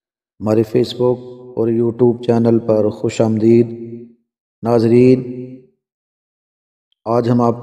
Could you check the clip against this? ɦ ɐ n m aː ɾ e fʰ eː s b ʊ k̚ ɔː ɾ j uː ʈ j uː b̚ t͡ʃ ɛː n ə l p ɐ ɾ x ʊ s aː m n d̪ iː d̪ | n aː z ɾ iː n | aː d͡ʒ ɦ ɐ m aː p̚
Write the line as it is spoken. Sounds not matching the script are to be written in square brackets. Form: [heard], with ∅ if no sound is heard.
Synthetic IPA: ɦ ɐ [∅] m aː ɾ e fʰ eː s b ʊ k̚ ɔː ɾ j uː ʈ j uː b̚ t͡ʃ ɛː n ə l p ɐ ɾ x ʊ [ʃ] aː m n d̪ iː d̪ | n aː z ɾ iː n | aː d͡ʒ ɦ ɐ m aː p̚